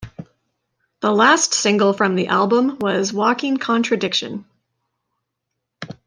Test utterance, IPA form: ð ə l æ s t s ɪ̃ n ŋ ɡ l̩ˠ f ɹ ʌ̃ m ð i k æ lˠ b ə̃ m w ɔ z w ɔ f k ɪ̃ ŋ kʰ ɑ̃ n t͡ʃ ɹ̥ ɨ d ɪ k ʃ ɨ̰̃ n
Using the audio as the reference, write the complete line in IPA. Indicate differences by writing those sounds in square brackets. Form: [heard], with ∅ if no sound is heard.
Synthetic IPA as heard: ð ə l æ s t s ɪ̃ [∅] ŋ ɡ l̩ˠ f ɹ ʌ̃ m ð i [ʔ] æ lˠ b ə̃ m w [ʌ] z w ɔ [∅] k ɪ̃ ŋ kʰ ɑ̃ n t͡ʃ ɹ̥ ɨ d ɪ k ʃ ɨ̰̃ n